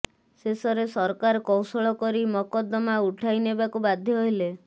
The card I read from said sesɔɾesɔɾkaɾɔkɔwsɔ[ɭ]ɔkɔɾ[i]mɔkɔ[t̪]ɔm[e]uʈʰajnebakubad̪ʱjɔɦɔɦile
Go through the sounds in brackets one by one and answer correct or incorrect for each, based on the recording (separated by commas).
correct, correct, incorrect, incorrect